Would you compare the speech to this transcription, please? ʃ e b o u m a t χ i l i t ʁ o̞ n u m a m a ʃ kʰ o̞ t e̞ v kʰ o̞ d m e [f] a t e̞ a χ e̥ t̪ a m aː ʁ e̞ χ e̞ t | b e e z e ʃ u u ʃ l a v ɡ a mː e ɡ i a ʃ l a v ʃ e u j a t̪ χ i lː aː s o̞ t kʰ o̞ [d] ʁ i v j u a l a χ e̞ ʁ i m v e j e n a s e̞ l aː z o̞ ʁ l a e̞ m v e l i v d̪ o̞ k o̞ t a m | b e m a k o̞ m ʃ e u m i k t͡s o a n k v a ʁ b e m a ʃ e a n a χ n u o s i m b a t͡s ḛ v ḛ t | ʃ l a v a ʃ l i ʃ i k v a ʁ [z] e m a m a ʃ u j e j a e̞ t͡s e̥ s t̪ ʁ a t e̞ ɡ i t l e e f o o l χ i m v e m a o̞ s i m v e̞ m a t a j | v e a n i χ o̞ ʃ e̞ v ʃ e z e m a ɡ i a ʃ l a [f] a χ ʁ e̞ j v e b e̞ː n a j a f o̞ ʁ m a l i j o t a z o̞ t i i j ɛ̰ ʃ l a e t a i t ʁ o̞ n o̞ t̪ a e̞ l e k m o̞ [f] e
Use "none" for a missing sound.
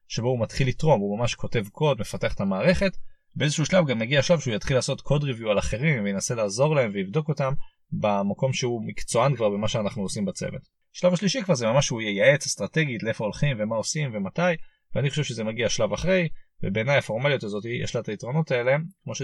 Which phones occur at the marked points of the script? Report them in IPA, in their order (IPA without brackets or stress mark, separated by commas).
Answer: f, d, z, v, ʃ